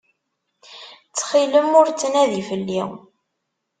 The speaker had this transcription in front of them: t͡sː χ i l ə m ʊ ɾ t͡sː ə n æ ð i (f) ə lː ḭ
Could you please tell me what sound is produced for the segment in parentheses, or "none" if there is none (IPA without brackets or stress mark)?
f